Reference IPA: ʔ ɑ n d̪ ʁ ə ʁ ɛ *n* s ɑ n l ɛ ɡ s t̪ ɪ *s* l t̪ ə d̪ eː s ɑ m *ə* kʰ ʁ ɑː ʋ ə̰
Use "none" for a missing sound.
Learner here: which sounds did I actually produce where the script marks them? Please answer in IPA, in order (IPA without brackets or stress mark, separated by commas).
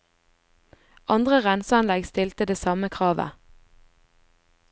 n, none, ə